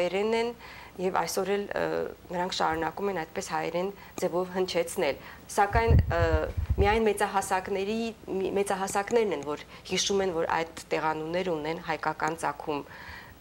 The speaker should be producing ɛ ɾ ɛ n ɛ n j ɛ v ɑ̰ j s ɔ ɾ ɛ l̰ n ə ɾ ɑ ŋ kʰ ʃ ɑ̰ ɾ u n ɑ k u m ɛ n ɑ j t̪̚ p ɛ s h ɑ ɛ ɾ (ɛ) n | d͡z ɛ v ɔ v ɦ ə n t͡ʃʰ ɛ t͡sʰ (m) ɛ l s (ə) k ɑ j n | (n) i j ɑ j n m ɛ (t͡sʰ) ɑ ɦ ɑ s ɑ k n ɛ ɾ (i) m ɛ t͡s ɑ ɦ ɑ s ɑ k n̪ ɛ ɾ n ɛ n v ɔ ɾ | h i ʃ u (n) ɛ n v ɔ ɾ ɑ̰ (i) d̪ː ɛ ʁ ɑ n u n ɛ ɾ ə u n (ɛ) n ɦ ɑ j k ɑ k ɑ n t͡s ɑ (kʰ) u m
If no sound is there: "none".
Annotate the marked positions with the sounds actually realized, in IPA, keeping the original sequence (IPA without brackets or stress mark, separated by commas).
ɛ, n, ɑ, m, t͡s, i, m, j, ɛ, kʰ